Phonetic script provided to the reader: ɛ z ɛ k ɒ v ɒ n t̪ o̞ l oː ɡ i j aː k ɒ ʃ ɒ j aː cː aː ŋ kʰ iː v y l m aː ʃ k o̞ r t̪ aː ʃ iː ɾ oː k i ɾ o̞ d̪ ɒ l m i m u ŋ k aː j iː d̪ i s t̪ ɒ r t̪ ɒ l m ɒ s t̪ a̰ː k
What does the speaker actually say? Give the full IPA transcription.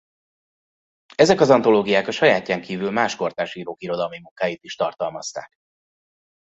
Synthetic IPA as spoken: ɛ z ɛ k ɒ z ɒ n t̪ o̞ l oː ɡ i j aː k ɒ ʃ ɒ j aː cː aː ŋ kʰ iː v y l m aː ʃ k o̞ r t̪ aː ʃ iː ɾ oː k i ɾ o̞ d̪ ɒ l m i m u ŋ k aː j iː t̪ i ʃ t̪ ɒ r t̪ ɒ l m ɒ s t̪ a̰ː k